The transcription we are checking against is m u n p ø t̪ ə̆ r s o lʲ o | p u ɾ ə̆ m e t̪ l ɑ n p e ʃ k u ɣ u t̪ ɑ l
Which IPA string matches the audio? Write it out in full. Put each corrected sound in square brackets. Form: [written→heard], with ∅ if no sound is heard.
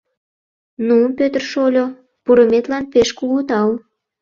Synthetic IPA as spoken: [m→n] u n p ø t̪ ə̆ r [s→ʃ] o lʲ o | p u ɾ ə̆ m e t̪ l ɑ n p e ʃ k u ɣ u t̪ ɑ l